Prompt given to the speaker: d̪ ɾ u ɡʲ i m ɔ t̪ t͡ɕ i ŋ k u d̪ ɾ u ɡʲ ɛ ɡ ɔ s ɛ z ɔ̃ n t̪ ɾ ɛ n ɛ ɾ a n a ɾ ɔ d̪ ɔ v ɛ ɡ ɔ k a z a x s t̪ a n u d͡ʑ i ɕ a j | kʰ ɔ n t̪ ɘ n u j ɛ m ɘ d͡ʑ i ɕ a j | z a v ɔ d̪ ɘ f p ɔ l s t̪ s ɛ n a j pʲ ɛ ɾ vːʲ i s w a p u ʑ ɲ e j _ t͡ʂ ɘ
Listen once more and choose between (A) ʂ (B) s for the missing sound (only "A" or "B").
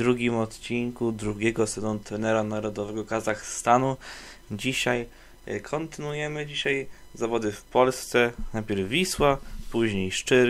A